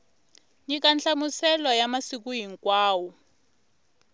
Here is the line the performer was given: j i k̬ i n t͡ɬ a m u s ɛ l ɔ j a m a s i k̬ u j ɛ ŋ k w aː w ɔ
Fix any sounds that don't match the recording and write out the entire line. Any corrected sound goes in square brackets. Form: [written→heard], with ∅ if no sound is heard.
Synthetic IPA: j i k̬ [i→a] n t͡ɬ a m u s ɛ l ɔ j a m a s i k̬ u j [ɛ→i] ŋ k w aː w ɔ